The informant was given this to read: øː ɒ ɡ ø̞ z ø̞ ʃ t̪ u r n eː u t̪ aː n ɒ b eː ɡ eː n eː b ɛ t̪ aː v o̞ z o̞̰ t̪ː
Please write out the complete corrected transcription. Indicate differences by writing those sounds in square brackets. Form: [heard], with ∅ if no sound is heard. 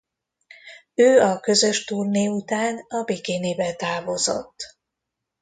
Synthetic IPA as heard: øː ɒ [k] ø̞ z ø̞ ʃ t̪ u r n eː u t̪ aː n ɒ b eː [k] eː n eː b ɛ t̪ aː v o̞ z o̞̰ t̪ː